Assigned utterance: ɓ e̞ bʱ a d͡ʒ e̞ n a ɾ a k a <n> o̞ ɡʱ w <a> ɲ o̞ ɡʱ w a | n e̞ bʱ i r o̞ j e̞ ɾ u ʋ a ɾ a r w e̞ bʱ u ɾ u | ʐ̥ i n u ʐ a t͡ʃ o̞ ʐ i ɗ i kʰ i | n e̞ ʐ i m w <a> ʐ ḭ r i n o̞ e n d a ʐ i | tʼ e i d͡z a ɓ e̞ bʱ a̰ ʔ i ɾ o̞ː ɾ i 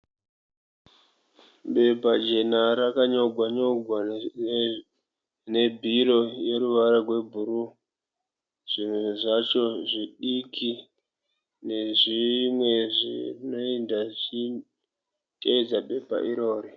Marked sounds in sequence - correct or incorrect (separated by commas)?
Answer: incorrect, correct, incorrect